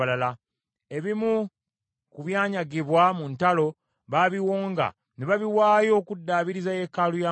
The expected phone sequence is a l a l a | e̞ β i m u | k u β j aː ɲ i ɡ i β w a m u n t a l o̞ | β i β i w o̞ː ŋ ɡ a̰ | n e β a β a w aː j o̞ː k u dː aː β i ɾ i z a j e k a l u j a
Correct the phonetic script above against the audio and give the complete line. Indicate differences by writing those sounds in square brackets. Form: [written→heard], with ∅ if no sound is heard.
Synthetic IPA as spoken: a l a l a | e̞ β i m u | k u β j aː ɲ [i→a] ɡ i β w a m u n t a l o̞ | β [i→a] β i w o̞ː ŋ ɡ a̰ | n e β a β [a→i] w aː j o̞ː k u dː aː β i ɾ i z a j e k a l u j a